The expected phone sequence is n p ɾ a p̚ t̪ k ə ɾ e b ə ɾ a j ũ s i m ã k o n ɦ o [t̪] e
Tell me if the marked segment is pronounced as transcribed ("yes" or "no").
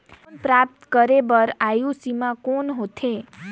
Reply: no